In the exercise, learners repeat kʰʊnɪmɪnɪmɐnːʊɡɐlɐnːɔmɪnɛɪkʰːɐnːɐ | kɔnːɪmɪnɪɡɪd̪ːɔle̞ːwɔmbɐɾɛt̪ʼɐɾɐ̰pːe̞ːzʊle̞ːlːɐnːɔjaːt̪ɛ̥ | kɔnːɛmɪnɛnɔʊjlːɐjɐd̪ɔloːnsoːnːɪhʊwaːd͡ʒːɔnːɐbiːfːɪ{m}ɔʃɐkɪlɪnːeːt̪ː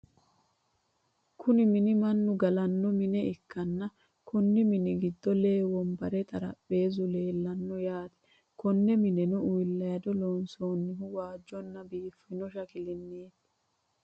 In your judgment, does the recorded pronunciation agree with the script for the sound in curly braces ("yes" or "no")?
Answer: no